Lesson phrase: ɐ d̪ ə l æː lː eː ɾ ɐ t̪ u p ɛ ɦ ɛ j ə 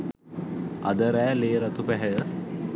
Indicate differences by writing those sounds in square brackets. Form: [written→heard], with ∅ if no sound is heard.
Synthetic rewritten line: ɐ d̪ ə [l→ɾ] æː [lː→l] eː ɾ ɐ t̪ u p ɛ ɦ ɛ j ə